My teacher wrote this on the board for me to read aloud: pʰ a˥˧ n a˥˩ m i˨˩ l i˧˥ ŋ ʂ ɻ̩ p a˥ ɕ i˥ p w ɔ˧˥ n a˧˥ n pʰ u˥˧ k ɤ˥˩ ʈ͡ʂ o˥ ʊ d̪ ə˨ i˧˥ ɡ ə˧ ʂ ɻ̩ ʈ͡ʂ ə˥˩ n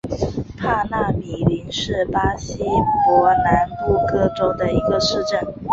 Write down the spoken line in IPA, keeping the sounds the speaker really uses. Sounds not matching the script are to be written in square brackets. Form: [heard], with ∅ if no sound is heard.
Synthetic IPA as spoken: pʰ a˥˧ n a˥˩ m i˨˩ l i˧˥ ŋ ʂ ɻ̩ p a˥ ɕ i˥ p w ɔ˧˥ n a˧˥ n [p] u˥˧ k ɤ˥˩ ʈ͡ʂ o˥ ʊ d̪ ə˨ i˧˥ ɡ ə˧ ʂ ɻ̩ ʈ͡ʂ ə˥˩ n